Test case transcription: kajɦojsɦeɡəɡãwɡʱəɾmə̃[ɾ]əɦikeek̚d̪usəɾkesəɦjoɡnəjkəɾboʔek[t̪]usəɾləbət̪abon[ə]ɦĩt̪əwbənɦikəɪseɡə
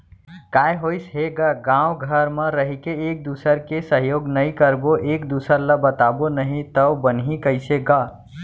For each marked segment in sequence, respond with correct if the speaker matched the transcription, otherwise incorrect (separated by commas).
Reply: correct, incorrect, correct